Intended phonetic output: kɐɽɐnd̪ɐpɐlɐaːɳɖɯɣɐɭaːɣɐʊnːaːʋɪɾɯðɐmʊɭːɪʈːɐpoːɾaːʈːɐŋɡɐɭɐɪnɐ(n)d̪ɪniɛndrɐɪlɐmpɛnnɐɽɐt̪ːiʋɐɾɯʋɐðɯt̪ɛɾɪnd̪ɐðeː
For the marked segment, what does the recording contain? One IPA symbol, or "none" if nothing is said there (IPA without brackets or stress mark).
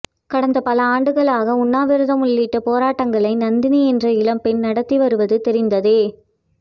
n